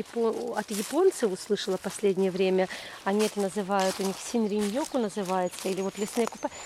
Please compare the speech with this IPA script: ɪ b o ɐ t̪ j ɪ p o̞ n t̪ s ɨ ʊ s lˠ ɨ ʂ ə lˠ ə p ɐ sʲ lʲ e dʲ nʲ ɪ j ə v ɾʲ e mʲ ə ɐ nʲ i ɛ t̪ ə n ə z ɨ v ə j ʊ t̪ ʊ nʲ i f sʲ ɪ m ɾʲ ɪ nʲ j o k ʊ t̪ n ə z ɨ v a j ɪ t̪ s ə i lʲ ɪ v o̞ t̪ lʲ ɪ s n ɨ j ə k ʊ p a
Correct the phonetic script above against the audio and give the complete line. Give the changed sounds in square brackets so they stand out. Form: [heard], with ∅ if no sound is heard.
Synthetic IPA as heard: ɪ [p] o ɐ t̪ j ɪ p o̞ n t̪ s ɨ ʊ s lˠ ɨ ʂ ə lˠ ə p ɐ sʲ lʲ e dʲ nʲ ɪ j ə v ɾʲ e mʲ ə ɐ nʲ i ɛ t̪ ə n ə z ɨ v [a] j ʊ t̪ ʊ nʲ i [x] sʲ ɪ [n] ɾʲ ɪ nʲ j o k ʊ [∅] n ə z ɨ v a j ɪ t̪ s ə i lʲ ɪ v o̞ t̪ lʲ ɪ s n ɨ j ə k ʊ p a